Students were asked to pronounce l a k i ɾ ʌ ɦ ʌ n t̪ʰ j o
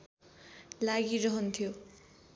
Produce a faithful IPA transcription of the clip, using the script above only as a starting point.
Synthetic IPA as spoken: l a ɡ i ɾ ʌ ɦ ʌ n t̪ʰ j o